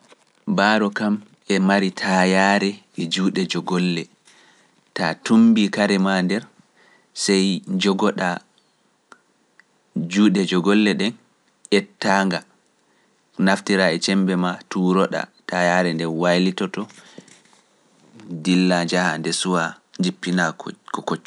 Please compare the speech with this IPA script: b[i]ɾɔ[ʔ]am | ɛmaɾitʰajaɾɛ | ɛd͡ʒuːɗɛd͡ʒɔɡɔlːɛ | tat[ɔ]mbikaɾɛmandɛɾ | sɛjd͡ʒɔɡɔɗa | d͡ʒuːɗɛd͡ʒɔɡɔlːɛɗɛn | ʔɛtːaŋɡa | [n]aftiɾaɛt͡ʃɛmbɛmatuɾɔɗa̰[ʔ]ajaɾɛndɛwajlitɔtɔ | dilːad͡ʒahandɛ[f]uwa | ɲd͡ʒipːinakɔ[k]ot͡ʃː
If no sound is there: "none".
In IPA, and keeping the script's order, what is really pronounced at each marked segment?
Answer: a, k, u, n, t, s, k

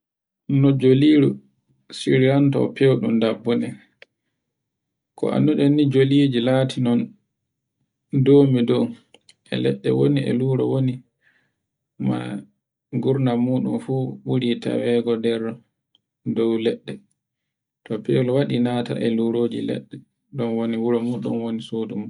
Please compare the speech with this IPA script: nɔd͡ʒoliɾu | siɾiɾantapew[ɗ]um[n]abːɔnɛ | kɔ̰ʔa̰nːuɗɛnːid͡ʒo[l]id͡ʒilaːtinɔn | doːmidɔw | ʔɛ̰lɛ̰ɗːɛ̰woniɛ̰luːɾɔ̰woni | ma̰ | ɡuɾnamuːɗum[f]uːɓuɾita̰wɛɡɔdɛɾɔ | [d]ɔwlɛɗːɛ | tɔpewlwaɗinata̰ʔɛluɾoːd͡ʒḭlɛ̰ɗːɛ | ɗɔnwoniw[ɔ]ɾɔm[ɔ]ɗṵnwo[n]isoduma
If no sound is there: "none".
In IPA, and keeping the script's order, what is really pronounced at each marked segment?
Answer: ɗ, d, l, f, d, u, u, n

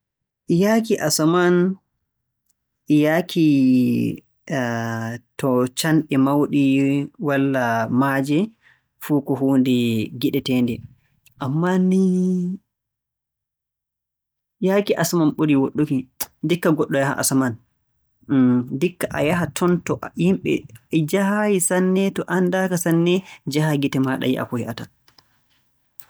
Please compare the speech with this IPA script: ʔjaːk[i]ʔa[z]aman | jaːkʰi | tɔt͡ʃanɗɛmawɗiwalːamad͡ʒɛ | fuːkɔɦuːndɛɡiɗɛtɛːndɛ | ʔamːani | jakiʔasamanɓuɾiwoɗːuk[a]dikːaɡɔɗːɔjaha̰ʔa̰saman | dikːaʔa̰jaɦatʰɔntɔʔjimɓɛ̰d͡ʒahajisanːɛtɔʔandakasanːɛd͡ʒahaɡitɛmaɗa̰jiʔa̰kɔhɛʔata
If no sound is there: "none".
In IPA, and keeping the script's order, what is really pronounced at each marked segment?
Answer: i, s, i

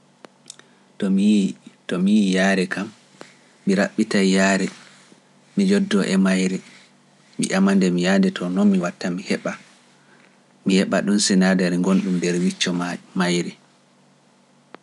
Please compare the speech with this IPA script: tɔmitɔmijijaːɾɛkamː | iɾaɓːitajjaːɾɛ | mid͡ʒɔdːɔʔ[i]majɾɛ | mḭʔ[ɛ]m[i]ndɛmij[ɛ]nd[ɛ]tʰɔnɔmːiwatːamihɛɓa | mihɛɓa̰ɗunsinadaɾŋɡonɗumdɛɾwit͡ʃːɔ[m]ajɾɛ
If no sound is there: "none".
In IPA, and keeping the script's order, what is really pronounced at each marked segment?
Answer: ɛ, a, a, a, ɛ, m

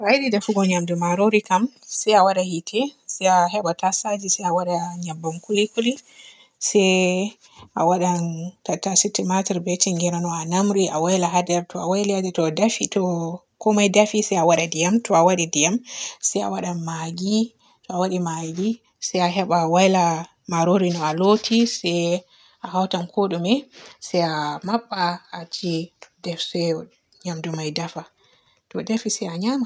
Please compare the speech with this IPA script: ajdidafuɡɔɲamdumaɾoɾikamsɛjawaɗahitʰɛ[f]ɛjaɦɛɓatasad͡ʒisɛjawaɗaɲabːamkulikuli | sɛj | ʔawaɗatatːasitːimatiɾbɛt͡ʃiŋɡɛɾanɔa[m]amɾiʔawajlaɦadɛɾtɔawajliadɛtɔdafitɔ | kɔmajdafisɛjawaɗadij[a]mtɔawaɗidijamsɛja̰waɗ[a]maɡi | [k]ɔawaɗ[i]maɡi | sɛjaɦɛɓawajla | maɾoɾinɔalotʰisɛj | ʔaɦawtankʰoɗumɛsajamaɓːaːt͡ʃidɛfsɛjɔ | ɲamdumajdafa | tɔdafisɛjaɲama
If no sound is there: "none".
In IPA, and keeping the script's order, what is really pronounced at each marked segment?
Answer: s, n, a, a, t, i

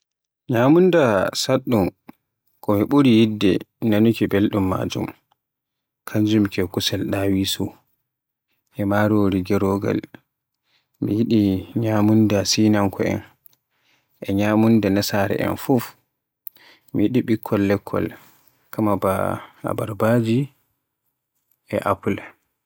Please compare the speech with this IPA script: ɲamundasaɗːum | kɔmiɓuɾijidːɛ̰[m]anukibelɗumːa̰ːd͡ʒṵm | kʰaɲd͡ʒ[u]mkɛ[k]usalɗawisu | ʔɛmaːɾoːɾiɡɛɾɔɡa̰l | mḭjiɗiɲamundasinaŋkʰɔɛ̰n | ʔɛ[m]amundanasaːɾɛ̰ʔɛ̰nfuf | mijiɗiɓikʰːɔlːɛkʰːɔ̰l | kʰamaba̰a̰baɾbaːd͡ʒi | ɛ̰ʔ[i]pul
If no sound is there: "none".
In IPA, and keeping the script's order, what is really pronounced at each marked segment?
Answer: n, u, k, ɲ, a

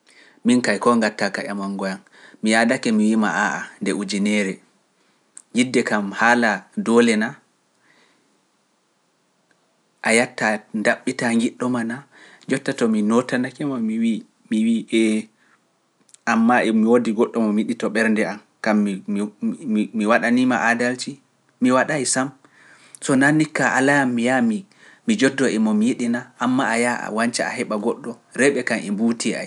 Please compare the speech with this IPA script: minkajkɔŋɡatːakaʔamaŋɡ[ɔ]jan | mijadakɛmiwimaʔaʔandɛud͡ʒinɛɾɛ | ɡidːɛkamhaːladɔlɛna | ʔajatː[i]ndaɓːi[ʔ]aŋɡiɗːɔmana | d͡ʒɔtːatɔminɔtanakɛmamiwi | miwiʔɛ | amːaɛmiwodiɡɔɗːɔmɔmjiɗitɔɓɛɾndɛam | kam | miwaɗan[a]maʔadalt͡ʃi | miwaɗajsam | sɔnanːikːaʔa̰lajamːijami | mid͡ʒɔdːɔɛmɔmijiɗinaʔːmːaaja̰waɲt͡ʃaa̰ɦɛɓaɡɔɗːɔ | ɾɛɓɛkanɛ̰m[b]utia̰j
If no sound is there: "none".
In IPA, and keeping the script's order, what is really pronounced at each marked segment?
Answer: ɔ, a, t, i, b

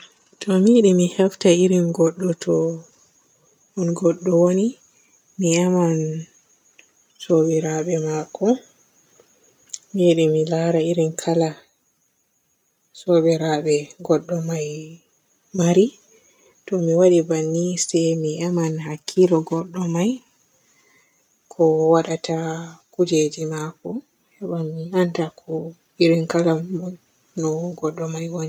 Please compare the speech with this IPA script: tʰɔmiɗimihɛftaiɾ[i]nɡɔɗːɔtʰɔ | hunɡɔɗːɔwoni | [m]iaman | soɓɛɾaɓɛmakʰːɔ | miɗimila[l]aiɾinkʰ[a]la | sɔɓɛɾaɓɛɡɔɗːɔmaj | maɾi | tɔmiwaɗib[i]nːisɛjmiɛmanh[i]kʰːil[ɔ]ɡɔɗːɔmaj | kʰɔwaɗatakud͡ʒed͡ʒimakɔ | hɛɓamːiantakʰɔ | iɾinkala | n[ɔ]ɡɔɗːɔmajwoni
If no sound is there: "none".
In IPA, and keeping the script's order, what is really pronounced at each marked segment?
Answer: i, m, ɾ, a, a, a, ɔ, ɔ

